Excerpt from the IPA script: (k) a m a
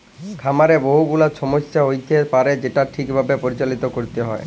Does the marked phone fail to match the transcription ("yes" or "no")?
yes